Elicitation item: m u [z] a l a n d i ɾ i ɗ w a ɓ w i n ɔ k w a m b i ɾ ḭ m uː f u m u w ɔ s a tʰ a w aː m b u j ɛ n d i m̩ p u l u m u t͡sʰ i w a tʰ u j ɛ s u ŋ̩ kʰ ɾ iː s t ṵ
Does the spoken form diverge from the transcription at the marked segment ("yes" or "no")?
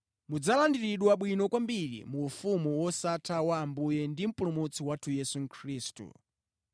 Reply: yes